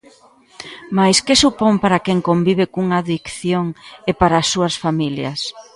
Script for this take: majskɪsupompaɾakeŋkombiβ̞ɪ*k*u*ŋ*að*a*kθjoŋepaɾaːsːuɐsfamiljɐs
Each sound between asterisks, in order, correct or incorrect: correct, correct, incorrect: i

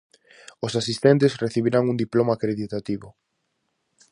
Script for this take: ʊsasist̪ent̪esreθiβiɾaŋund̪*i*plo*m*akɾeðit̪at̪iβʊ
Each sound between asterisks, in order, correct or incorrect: correct, correct

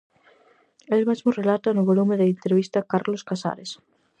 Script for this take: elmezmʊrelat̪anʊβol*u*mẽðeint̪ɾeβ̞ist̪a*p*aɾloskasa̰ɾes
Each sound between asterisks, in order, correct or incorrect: correct, incorrect: k

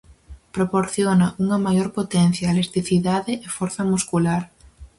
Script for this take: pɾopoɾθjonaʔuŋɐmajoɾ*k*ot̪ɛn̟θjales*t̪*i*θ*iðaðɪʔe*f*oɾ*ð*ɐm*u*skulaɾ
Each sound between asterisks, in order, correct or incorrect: incorrect: p, correct, correct, correct, incorrect: θ, correct

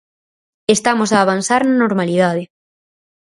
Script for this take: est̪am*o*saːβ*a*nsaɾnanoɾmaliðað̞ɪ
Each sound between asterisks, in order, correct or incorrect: correct, correct

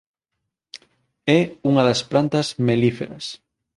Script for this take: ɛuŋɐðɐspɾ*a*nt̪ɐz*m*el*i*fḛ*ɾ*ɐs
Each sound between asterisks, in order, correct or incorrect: correct, correct, correct, correct

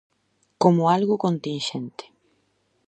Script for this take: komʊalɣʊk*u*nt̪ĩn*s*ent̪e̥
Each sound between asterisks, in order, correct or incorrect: incorrect: o, incorrect: ʃ

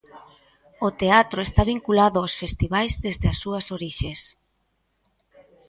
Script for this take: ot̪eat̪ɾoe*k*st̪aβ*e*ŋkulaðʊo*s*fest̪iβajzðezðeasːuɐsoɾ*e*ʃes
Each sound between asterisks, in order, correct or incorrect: incorrect: none, incorrect: i, correct, incorrect: i

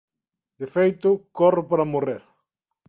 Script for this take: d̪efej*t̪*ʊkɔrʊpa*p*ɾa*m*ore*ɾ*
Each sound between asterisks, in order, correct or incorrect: correct, incorrect: none, correct, correct

